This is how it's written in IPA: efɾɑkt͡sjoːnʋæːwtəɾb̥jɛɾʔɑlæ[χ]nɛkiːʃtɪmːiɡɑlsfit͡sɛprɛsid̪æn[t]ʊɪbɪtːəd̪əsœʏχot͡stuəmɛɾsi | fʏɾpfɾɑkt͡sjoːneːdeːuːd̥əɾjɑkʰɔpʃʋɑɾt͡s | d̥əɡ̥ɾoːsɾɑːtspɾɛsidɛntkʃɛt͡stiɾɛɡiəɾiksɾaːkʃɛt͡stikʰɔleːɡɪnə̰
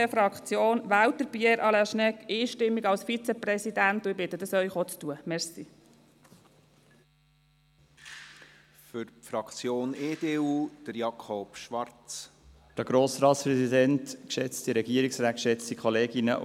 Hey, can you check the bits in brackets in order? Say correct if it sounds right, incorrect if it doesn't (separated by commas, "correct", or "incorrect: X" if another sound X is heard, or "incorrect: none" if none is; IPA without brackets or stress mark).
incorrect: ʃ, correct